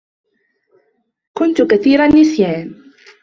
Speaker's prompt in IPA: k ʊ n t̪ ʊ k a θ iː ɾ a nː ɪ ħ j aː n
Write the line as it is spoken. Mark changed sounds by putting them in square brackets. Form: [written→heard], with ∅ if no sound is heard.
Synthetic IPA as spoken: k ʊ n t̪ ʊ k a θ iː ɾ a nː ɪ [ħ→s] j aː n